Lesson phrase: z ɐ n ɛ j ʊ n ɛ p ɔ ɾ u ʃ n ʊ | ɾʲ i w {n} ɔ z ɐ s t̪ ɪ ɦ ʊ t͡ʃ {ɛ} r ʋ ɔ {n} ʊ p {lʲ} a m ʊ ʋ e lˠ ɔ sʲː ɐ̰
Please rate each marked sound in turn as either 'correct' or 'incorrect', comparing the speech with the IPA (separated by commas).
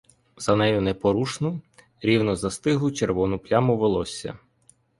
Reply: correct, incorrect, correct, correct